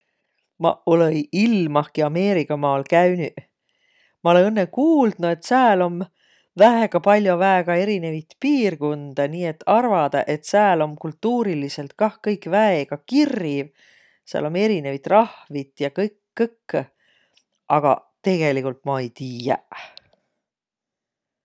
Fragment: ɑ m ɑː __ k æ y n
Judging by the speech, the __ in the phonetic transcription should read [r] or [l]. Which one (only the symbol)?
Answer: l